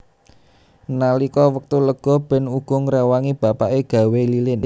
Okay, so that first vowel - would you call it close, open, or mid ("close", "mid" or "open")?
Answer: open